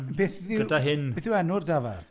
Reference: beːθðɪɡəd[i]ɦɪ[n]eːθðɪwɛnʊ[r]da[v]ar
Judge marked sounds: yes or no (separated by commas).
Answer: no, yes, yes, yes